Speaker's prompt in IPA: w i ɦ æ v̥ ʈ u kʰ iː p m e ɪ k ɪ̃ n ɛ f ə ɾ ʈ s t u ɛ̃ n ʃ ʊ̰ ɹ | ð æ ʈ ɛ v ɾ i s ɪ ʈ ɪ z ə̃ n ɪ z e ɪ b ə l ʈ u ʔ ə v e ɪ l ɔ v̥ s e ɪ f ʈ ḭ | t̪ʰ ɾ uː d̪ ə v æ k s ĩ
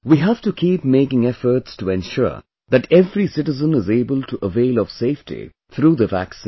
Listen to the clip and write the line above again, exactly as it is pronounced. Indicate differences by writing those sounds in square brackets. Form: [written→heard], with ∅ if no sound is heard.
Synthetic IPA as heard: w i ɦ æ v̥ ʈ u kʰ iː p m e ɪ k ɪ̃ [n→ŋ] ɛ f ə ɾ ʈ s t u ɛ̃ n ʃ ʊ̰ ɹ | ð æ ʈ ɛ v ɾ i s ɪ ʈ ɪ z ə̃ n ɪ z e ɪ b ə l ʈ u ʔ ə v e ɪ l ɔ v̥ s e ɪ f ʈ ḭ | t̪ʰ ɾ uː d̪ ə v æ k s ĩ